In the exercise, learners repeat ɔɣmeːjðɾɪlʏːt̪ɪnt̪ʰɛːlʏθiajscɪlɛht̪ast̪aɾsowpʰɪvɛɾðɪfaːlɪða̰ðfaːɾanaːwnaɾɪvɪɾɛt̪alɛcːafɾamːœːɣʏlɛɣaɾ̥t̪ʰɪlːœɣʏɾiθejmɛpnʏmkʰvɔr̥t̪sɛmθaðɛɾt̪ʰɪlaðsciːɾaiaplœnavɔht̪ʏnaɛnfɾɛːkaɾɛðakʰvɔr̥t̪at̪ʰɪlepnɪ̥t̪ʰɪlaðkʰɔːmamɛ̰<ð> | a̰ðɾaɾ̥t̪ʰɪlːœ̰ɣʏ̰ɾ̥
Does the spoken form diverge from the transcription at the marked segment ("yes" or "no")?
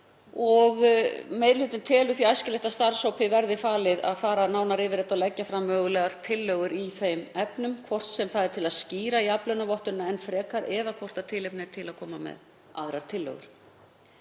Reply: no